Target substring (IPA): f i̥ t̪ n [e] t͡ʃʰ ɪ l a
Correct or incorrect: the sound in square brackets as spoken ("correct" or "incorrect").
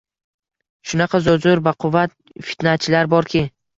incorrect